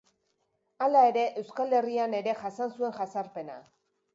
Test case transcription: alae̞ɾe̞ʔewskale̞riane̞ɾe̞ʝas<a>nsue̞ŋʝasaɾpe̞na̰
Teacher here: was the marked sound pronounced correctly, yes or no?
yes